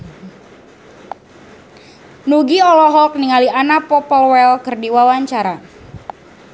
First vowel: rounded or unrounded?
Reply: rounded